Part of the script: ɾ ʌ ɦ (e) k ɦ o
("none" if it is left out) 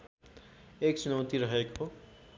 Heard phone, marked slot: e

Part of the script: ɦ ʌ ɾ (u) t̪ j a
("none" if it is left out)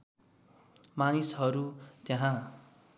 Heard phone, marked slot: u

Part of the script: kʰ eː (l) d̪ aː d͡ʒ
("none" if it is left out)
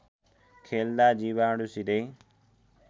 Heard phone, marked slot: l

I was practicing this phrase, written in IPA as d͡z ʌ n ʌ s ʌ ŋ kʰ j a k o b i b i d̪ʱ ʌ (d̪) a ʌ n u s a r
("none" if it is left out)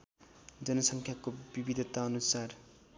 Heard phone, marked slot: t̪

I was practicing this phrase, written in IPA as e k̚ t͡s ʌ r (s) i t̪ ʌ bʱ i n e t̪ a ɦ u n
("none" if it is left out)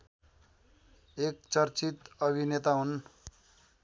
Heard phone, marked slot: t͡s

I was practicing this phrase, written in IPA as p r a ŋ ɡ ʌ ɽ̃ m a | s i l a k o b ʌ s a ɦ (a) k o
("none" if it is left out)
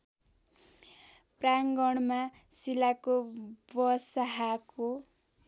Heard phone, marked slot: a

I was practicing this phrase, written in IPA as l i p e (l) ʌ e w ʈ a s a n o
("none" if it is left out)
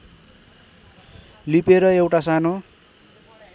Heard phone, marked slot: ɾ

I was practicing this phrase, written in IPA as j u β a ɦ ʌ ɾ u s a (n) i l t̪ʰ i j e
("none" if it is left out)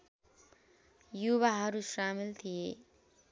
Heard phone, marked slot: m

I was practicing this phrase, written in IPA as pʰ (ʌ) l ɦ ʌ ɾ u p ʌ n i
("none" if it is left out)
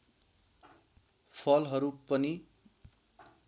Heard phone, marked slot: ʌ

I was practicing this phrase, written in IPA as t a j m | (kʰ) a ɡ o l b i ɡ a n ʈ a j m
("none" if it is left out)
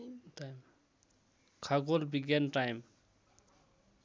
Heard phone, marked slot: kʰ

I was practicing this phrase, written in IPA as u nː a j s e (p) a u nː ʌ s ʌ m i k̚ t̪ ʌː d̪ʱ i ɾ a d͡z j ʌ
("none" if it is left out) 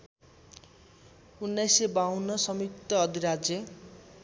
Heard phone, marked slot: b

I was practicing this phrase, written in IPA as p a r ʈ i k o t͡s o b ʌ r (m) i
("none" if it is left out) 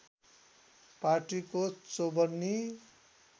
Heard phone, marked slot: n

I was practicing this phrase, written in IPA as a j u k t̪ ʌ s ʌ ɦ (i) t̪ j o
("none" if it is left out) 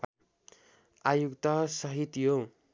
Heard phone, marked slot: i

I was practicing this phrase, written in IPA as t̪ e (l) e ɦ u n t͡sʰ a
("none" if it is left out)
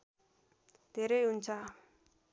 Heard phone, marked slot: ɾ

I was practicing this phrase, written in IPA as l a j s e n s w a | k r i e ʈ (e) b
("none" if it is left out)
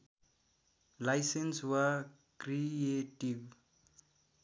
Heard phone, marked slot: i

